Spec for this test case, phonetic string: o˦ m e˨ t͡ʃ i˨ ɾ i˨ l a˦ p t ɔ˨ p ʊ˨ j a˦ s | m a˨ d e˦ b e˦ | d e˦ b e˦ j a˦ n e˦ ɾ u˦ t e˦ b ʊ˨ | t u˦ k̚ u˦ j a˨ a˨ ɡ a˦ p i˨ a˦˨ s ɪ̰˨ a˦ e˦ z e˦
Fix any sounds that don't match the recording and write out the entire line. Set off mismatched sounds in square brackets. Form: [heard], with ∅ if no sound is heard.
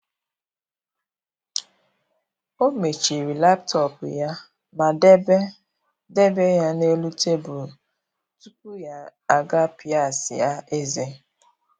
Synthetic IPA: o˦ m e˨ t͡ʃ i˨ ɾ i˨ l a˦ p t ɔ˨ p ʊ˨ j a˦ [∅] | m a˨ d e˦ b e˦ | d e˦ b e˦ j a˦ n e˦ [l] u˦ t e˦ b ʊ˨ | t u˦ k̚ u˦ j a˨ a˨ ɡ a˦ p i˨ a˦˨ s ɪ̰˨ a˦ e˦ z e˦